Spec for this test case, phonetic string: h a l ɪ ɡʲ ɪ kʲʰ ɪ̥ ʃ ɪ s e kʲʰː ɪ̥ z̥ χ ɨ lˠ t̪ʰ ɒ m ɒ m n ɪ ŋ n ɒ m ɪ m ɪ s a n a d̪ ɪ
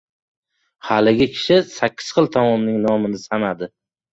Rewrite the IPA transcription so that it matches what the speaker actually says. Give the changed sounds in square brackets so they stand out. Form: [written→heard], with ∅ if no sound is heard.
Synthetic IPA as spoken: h a l ɪ ɡʲ ɪ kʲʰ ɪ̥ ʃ ɪ s [e→a] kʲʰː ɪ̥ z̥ χ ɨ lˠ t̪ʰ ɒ m ɒ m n ɪ ŋ n ɒ m ɪ [m→n] ɪ s a n a d̪ ɪ